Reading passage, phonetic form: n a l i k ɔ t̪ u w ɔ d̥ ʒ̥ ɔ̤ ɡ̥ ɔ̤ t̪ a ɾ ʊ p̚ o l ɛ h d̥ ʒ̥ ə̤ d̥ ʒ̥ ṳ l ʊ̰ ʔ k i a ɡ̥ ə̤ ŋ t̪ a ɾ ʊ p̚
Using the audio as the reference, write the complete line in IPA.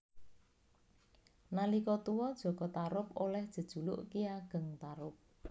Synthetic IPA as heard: n a l i k ɔ t̪ u w ɔ d̥ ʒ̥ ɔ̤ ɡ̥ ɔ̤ t̪ a ɾ ʊ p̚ o l ɛ h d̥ ʒ̥ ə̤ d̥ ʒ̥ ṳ l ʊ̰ ʔ k i a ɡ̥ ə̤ ŋ t̪ a ɾ ʊ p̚